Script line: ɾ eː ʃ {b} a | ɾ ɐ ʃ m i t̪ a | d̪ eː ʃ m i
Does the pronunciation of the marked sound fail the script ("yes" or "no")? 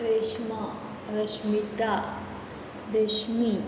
yes